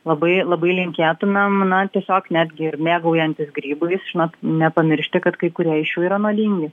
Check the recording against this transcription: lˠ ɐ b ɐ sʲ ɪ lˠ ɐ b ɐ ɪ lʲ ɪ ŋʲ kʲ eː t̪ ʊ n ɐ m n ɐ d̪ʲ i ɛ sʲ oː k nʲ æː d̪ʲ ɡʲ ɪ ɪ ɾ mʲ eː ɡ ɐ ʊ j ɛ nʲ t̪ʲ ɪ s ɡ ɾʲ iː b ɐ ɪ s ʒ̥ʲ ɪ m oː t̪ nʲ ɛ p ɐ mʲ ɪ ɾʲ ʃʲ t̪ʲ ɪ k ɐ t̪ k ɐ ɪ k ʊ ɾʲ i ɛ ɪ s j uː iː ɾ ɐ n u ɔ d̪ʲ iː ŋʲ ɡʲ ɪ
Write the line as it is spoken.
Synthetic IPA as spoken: lˠ ɐ b ɐ ɪ lˠ ɐ b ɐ ɪ lʲ ɪ ŋʲ kʲ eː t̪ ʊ n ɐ m n ɐ t̪ʲ i ɛ sʲ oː k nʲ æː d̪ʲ ɡʲ ɪ ɪ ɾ mʲ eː ɡ ɐ ʊ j ɛ nʲ t̪ʲ ɪ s ɡ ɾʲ iː b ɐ ɪ s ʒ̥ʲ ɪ n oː t̪ nʲ ɛ p ɐ mʲ ɪ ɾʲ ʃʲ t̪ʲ ɪ k ɐ t̪ k ɐ ɪ k ʊ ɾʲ i ɛ ɪ ʃ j uː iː ɾ ɐ n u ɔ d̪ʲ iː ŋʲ ɡʲ ɪ